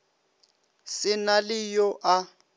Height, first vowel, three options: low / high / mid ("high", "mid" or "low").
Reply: high